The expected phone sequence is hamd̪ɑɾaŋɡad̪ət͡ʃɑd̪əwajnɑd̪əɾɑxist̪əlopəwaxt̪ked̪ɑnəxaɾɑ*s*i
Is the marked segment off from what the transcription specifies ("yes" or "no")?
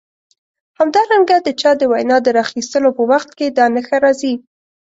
yes